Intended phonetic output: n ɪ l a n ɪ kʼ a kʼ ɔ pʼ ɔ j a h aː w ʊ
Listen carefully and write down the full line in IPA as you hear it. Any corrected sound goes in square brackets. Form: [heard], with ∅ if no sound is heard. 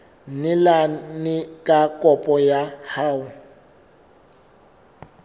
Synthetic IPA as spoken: n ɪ l a n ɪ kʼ a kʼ ɔ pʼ ɔ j a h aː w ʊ